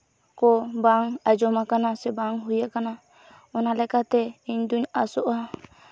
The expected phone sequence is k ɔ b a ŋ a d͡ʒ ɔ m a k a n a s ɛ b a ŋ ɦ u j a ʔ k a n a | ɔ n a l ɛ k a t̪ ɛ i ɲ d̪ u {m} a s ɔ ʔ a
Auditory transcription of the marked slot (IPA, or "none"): ɲ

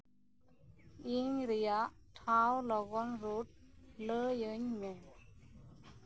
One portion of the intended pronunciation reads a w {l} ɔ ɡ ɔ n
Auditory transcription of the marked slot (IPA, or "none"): l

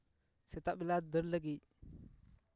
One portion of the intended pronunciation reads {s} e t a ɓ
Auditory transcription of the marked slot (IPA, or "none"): s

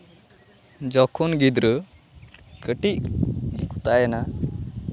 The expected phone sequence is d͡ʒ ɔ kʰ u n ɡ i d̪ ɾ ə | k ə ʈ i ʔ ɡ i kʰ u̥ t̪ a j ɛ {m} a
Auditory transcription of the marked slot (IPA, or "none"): n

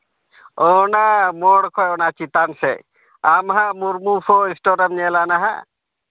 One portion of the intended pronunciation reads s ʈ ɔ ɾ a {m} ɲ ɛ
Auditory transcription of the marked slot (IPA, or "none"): m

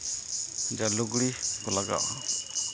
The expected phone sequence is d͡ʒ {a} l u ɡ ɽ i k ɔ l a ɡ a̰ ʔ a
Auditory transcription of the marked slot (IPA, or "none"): a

